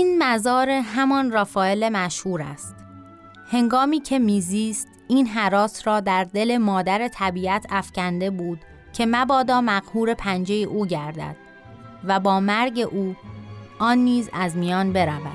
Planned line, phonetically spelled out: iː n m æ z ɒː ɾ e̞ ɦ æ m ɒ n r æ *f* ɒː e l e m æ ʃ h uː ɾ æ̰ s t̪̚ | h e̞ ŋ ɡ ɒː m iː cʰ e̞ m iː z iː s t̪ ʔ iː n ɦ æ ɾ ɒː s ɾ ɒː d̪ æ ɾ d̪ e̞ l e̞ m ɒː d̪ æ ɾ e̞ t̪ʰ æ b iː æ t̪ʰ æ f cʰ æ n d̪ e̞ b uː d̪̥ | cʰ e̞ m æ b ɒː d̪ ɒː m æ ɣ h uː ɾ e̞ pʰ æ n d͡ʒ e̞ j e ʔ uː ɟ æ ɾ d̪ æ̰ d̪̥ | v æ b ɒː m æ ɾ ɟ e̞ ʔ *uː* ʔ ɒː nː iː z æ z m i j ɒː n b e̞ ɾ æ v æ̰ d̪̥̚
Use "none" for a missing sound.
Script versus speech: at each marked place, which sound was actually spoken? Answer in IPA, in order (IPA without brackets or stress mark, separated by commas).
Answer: f, uː